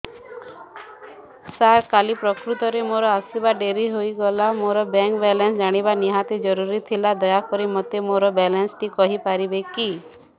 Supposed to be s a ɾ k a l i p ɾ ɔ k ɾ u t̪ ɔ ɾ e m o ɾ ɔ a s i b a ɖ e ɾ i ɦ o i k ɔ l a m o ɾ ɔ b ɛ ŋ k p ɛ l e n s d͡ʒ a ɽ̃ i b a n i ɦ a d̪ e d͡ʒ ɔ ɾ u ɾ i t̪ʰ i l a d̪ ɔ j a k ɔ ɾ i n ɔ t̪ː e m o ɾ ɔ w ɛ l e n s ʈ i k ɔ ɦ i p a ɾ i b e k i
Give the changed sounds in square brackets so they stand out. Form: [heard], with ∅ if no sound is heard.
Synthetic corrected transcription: s a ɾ k a l i p ɾ ɔ k ɾ u t̪ ɔ ɾ e m o ɾ ɔ a s i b a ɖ e ɾ i ɦ o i [ɡ] ɔ l a m o ɾ ɔ b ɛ ŋ k [b] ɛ l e n s d͡ʒ a ɽ̃ i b a n i ɦ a [t̪] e d͡ʒ ɔ ɾ u ɾ i t̪ʰ i l a d̪ ɔ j a k ɔ ɾ i [m] ɔ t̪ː e m o ɾ ɔ [b] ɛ l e n s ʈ i k ɔ ɦ i p a ɾ i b e k i

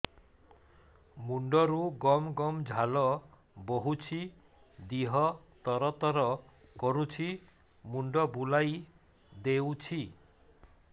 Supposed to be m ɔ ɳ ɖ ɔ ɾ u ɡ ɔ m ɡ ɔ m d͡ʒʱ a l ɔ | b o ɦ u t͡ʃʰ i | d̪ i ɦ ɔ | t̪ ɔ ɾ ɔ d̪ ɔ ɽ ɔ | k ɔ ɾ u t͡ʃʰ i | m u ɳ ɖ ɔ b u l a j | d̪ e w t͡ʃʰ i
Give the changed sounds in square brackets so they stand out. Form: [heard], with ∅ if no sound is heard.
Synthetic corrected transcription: m [u] ɳ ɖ ɔ ɾ u ɡ ɔ m ɡ ɔ m d͡ʒʱ a l ɔ | b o ɦ u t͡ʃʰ i | d̪ i ɦ ɔ | t̪ ɔ ɾ ɔ [t̪] ɔ [ɾ] ɔ | k ɔ ɾ u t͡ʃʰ i | m u ɳ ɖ ɔ b u l a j | d̪ e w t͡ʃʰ i

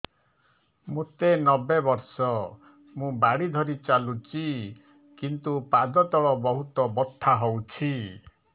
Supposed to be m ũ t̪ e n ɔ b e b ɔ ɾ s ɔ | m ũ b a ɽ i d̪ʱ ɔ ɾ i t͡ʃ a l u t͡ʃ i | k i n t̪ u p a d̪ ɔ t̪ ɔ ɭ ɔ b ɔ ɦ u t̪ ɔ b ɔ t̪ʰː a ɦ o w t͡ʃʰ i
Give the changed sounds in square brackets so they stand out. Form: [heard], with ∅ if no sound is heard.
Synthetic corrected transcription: m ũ t̪ e n ɔ b e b ɔ ɾ s ɔ | m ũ b a ɽ i d̪ʱ ɔ ɾ i t͡ʃ a l u t͡ʃ i | k i n t̪ u p a d̪ ɔ t̪ ɔ ɭ ɔ b ɔ ɦ u t̪ ɔ b ɔ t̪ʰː a ɦ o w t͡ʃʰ i

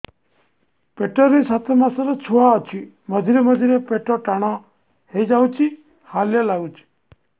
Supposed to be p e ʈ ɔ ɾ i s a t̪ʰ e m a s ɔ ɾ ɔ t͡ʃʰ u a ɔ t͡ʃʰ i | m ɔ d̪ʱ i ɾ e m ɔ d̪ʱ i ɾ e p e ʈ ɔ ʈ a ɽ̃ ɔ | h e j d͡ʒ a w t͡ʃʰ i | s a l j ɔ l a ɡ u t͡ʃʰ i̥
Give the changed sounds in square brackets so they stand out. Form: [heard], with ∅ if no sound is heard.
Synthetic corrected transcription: p e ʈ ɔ ɾ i s a t̪ʰ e m a s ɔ ɾ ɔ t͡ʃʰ u a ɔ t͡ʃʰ i | m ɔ d̪ʱ i ɾ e m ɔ d̪ʱ i ɾ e p e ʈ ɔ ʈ a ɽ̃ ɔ | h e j d͡ʒ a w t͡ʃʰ i | [h] a l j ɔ l a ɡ u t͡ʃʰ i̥

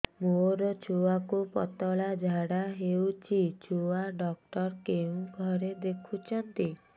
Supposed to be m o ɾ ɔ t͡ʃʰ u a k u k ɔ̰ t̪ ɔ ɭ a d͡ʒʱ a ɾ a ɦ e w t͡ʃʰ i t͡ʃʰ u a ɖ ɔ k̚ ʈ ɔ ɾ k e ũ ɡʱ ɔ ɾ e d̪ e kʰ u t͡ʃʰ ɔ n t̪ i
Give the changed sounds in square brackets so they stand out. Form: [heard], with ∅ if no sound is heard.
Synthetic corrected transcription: m o ɾ ɔ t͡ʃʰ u a k u [p] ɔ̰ t̪ ɔ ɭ a d͡ʒʱ a [ɽ] a ɦ e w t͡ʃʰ i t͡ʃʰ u a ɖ ɔ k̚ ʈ ɔ ɾ k e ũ ɡʱ ɔ ɾ e d̪ e kʰ u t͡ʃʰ ɔ n t̪ i

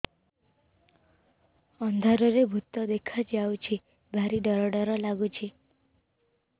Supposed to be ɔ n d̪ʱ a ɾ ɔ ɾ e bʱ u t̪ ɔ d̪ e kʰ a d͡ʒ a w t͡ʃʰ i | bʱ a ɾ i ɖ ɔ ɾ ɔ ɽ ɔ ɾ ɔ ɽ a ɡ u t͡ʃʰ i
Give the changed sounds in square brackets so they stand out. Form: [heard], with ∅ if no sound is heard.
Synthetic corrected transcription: ɔ n d̪ʱ a ɾ ɔ ɾ e bʱ u t̪ ɔ d̪ e kʰ a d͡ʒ a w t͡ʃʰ i | bʱ a ɾ i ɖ ɔ ɾ ɔ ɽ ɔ ɾ ɔ [l] a ɡ u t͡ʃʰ i

